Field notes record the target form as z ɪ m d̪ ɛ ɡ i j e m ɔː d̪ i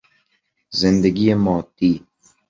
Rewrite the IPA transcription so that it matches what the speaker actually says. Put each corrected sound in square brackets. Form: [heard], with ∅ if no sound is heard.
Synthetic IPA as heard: z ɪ [n] d̪ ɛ ɡ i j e m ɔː [t̪] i